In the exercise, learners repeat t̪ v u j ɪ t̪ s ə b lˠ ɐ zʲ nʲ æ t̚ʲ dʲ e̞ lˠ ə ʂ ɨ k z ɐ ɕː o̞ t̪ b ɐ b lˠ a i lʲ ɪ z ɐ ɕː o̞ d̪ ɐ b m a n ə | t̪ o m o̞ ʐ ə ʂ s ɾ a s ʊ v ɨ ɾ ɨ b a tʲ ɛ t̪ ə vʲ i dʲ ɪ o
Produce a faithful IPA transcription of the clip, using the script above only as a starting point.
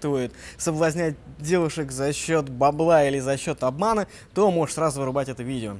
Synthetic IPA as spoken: t̪ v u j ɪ t̪ s ə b lˠ ɐ zʲ nʲ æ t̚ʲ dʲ e̞ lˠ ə ʂ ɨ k z ɐ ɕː o̞ t̪ b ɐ b lˠ a i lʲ ɪ z ɐ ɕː o̞ t̪ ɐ b m a n ə | t̪ o m o̞ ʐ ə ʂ s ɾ a z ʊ v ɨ ɾ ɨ b a tʲ ɛ t̪ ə vʲ i dʲ ɪ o

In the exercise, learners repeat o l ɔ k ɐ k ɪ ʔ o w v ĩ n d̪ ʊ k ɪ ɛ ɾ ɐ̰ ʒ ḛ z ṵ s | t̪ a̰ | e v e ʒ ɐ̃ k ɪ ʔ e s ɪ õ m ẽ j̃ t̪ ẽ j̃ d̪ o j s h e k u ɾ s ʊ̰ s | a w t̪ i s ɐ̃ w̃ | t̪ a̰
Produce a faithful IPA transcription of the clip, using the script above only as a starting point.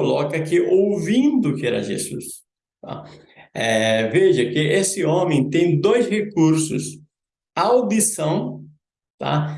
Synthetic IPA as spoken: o l ɔ k ɐ k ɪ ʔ o w v ĩ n d̪ ʊ k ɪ ɛ ɾ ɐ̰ ʒ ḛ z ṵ s | t̪ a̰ | ɛ v e ʒ ɐ k ɪ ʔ e s ɪ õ m ẽ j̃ t̪ ẽ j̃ d̪ o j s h e k u ɾ s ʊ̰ s | a w d̪ i s ɐ̃ w̃ | t̪ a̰

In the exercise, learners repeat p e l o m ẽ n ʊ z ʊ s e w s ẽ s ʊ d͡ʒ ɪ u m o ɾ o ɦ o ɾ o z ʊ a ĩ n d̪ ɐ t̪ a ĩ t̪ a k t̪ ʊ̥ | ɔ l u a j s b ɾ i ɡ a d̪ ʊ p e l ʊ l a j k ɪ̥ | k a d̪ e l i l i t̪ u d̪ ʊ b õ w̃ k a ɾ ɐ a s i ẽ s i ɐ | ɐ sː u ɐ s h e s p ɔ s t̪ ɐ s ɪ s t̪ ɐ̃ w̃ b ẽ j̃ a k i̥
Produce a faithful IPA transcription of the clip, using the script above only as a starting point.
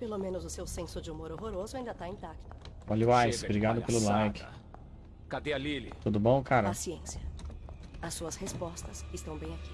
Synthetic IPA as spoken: p e l o m ẽ n ʊ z ʊ s e w s ẽ s ʊ d͡ʒ ɪ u m o ɾ o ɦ o ɾ o z ʊ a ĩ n d̪ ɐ t̪ a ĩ t̪ a k t̪ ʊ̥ | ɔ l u a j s b ɾ i ɡ a d̪ ʊ p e l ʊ l a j k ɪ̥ | k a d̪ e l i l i t̪ u d̪ ʊ b õ w̃ k a ɾ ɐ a s i ẽ s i ɐ | ɐ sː u ɐ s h e s p ɔ s t̪ ɐ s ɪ s t̪ ɐ̃ w̃ b ẽ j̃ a k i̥

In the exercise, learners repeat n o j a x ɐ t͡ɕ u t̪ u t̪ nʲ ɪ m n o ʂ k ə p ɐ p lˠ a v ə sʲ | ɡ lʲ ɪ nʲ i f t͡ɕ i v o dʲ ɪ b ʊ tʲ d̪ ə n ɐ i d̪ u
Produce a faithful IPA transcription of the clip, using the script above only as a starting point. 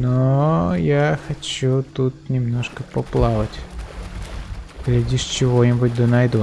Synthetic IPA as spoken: n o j a x ɐ t͡ɕ u t̪ u t̪ nʲ ɪ m n o ʂ k ə p ɐ p lˠ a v ə tʲ | ɡ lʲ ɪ dʲ i ʂ t͡ɕ ɪ v o nʲ ɪ b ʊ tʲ d̪ ə n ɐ j d̪ u

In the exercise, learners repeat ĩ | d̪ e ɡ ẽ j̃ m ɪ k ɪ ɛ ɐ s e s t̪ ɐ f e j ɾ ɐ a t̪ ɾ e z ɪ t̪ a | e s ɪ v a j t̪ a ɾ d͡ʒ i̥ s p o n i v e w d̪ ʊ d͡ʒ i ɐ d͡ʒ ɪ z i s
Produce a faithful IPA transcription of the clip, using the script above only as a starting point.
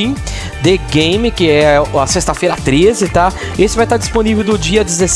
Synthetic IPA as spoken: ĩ | d̪ e ɡ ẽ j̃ m ɪ k ɪ ɛ ɐ s e s t̪ ɐ f e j ɾ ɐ a t̪ ɾ e z ɪ t̪ a | e s ɪ v a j t̪ a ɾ d͡ʒ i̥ s p o n i v e w d̪ ʊ d͡ʒ i ɐ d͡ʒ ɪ z e s

